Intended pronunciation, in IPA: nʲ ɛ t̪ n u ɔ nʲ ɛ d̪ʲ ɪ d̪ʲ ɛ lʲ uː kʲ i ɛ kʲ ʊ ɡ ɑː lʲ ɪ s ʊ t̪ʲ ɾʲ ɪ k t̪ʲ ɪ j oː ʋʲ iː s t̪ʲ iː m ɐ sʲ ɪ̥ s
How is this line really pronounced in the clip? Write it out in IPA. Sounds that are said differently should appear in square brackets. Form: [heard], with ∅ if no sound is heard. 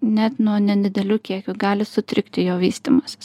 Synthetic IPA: nʲ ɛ t̪ n u ɔ nʲ ɛ d̪ʲ ɪ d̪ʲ ɛ lʲ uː kʲ i ɛ kʲ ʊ ɡ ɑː lʲ ɪ s ʊ t̪ʲ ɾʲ ɪ k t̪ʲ ɪ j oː ʋʲ iː s t̪ʲ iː m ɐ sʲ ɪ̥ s